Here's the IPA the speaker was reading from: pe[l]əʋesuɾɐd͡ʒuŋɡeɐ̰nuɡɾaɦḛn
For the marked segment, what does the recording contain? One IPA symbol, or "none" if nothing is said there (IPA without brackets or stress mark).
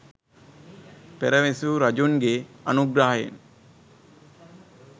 ɾ